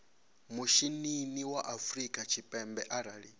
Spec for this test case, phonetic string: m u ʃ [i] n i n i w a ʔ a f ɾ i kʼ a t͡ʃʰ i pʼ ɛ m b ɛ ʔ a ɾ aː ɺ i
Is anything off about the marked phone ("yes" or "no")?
no